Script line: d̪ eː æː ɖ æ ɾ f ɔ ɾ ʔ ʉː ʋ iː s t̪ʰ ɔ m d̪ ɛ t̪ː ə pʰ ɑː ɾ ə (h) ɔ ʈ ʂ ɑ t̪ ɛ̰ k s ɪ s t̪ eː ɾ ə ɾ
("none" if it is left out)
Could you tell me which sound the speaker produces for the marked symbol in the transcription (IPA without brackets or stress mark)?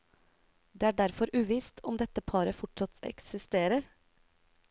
f